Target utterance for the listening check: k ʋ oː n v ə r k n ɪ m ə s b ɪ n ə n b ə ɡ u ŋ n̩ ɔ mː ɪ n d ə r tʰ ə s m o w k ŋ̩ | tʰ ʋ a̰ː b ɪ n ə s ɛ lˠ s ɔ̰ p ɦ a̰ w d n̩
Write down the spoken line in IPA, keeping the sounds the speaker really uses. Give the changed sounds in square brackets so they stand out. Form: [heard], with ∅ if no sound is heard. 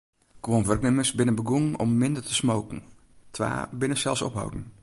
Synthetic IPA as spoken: k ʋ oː n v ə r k n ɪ m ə s b ɪ n ə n b ə ɡ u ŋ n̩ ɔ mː ɪ n d ə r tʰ ə s m o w k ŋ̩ | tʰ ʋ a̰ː b ɪ n ə s ɛ lˠ s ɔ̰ p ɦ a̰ w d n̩